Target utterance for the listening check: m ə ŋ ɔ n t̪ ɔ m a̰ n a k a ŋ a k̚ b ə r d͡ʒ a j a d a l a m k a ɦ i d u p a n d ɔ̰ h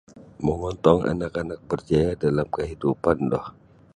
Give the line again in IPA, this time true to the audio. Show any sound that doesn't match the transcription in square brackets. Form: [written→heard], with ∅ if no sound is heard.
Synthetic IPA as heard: m ə ŋ ɔ n t̪ ɔ [m→ŋ] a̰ n a k a [ŋ→n] a k̚ b ə r d͡ʒ a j a d a l a m k [a→ə] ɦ i d u p a n d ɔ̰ h